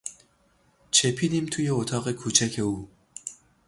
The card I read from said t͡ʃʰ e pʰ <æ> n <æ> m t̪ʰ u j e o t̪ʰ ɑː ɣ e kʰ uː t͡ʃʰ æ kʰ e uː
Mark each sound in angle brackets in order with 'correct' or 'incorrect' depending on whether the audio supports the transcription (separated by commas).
incorrect, incorrect